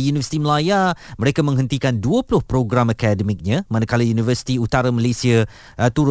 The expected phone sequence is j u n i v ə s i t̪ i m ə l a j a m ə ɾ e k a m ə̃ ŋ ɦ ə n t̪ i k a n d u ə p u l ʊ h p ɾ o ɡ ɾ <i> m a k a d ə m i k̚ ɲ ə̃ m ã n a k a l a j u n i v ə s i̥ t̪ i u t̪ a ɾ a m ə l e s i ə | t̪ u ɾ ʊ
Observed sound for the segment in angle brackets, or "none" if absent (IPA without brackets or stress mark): a